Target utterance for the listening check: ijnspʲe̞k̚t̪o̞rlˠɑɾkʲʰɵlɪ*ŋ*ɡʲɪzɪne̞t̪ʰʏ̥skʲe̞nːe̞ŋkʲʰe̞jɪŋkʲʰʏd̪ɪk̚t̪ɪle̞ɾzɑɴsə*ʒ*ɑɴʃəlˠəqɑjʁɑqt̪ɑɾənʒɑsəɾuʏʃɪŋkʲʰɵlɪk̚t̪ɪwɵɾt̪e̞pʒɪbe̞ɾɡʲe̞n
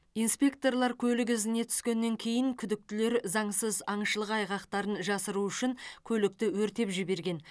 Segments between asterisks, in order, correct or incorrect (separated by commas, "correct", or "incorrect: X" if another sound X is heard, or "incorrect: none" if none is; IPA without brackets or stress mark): incorrect: none, incorrect: z